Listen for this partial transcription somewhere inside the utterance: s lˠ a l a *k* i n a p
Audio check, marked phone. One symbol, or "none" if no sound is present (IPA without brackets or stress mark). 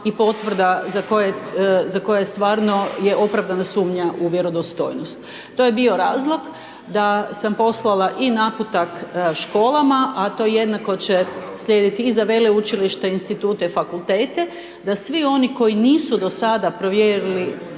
ʔ